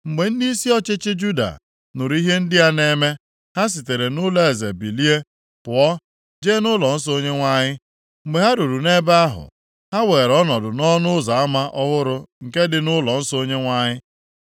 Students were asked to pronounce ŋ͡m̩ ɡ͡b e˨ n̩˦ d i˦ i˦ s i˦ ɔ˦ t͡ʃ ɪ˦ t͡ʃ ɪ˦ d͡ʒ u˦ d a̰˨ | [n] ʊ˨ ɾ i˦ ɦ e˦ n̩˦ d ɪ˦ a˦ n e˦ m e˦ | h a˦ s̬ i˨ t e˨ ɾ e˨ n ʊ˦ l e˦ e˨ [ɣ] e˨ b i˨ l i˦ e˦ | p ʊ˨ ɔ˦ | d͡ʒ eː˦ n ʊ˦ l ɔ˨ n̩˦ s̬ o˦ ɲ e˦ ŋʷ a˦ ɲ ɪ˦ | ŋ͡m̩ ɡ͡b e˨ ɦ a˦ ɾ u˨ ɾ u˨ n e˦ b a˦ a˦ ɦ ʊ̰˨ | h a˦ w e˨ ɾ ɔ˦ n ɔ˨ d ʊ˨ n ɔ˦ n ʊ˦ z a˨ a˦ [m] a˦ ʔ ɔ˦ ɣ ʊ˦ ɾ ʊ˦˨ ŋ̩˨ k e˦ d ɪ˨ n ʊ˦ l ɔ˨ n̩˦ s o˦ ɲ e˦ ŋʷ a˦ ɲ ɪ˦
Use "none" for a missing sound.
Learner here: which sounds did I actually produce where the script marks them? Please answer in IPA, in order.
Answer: n, z, m

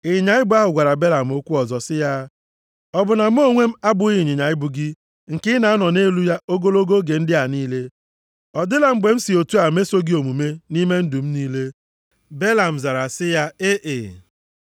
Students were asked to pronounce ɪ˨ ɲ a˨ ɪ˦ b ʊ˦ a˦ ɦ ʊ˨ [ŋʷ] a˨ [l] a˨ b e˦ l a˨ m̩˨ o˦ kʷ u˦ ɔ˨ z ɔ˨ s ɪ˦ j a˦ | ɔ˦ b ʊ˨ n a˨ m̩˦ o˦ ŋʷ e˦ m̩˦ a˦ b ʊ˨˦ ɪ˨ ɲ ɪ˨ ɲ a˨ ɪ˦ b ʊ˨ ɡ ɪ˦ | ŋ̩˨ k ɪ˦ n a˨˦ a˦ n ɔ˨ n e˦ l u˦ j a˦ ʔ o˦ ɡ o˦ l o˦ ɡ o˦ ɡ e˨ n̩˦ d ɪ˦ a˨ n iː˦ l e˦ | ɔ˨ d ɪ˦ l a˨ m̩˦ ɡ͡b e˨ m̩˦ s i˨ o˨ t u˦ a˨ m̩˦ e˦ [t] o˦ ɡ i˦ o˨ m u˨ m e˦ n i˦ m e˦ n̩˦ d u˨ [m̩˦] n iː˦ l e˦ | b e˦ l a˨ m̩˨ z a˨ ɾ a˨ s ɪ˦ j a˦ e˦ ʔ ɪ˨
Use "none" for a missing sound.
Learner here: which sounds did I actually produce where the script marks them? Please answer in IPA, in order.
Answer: ɡʷ, ɾ, s, m̩˦

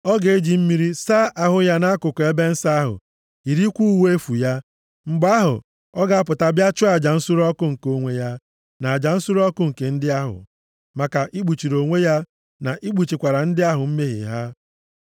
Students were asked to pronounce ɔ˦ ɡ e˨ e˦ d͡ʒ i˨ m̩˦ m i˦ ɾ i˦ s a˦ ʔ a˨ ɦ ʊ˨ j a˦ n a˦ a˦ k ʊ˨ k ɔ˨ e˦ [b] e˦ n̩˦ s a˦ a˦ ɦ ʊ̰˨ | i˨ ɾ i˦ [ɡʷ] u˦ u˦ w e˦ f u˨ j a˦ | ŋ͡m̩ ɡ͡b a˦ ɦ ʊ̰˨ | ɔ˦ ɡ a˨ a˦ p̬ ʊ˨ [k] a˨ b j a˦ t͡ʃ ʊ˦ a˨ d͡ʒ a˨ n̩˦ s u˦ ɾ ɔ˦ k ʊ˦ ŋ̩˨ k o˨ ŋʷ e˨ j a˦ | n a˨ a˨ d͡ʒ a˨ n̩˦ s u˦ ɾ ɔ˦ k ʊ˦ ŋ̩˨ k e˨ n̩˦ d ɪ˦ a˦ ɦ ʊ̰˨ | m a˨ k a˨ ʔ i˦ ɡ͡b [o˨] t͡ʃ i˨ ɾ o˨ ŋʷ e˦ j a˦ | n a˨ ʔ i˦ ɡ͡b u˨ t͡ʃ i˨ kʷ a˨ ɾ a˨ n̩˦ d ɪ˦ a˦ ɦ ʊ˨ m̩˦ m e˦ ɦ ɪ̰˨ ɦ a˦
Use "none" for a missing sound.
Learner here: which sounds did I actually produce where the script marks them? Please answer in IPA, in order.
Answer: b, kʷ, t, u˨

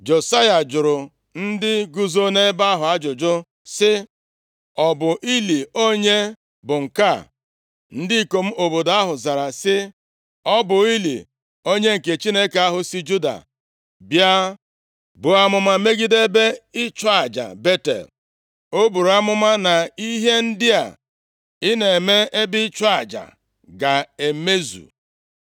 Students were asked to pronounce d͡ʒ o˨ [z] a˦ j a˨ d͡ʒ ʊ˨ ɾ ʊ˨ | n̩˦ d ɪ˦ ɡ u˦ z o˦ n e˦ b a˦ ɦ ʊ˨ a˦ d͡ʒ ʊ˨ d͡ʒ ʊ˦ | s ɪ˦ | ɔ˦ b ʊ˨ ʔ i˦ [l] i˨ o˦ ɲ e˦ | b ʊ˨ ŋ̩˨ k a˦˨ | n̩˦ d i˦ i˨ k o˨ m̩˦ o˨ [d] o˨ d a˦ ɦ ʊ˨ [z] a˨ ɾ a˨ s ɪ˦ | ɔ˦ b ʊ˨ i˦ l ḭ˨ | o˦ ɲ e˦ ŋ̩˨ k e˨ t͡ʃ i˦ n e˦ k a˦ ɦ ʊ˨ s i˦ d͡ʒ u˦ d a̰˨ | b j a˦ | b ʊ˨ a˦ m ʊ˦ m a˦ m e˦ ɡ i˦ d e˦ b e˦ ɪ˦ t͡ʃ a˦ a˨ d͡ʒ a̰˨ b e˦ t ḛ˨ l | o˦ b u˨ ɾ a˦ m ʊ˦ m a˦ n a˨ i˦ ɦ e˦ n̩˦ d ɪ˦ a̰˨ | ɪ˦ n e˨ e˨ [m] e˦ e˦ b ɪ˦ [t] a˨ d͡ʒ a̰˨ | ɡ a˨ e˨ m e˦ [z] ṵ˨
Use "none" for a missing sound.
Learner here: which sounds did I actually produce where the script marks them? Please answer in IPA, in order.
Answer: s, l, b, z, m, t͡ʃ, z

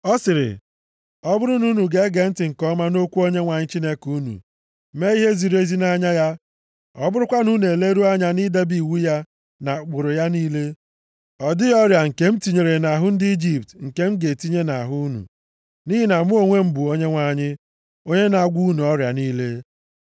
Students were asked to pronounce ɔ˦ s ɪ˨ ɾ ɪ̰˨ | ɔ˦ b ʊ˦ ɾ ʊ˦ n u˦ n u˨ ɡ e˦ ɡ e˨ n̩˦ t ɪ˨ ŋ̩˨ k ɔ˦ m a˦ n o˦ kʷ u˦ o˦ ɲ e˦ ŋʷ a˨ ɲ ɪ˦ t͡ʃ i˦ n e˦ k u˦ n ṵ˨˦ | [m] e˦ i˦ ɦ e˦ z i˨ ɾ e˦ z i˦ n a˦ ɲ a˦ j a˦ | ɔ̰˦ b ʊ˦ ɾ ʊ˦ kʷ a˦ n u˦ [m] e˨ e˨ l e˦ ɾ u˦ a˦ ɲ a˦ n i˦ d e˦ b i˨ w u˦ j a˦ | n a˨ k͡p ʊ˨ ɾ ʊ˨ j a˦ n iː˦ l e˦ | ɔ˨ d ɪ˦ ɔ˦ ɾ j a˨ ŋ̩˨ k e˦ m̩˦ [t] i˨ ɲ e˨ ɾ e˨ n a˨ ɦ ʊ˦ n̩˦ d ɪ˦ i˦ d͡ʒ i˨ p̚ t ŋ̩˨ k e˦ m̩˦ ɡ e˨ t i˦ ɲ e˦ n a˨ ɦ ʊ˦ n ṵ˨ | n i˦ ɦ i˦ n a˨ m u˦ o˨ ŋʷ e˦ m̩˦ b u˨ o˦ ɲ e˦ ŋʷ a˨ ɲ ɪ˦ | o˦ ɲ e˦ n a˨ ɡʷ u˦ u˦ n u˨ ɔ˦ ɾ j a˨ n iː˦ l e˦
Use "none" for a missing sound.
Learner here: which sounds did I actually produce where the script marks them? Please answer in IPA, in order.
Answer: m, n, t

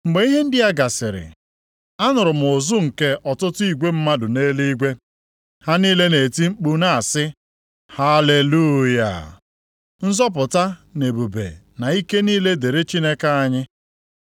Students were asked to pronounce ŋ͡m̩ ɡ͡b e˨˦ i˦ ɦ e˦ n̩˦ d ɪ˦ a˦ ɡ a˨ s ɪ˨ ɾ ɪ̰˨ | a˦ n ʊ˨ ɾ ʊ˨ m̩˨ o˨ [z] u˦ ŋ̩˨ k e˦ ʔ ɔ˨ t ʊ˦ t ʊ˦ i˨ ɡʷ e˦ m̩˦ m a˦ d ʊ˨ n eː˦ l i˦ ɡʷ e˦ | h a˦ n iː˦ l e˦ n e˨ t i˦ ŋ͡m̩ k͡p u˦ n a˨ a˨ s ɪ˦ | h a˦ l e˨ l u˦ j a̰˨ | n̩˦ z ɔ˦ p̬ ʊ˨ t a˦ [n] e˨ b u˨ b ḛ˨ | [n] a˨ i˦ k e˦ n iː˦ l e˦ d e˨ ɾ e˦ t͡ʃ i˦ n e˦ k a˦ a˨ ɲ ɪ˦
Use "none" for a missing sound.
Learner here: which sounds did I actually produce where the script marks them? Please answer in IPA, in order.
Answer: z, n, n

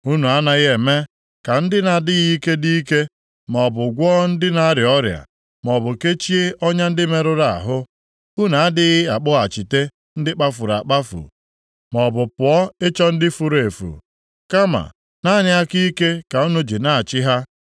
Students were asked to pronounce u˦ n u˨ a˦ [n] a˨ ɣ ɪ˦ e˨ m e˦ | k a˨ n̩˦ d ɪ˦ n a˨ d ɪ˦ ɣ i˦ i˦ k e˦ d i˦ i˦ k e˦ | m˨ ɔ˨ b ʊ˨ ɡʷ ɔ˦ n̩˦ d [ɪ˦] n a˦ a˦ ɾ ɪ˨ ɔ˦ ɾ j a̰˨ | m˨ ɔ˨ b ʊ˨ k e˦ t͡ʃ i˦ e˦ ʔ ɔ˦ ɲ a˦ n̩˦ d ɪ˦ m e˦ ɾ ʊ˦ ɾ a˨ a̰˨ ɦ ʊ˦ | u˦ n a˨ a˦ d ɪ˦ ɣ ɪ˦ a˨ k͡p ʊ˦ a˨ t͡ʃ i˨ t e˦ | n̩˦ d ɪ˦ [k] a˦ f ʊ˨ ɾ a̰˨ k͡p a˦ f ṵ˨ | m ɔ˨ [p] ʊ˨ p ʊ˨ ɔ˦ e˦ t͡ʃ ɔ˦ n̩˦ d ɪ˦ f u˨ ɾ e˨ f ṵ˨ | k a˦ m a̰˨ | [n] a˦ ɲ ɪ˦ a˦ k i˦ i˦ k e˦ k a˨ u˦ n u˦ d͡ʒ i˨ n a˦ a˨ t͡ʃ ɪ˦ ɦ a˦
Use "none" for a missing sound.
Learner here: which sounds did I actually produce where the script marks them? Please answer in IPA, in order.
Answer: n, ɪ˦, k͡p, b, n

